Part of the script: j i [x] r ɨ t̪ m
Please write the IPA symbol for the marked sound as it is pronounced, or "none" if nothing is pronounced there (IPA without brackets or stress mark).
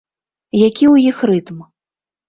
x